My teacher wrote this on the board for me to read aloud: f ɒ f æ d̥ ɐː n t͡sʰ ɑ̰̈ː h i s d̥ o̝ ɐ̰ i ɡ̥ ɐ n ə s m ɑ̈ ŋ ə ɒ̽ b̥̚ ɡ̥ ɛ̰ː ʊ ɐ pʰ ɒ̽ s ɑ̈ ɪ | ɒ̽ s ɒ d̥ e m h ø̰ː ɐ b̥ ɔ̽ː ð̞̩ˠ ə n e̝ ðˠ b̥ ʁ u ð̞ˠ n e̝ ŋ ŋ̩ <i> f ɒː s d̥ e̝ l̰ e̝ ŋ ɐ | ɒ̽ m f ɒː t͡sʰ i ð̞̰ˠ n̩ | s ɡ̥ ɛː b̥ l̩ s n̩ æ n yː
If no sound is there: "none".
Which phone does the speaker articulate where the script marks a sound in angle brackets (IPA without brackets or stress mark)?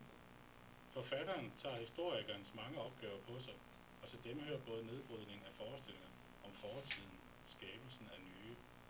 æ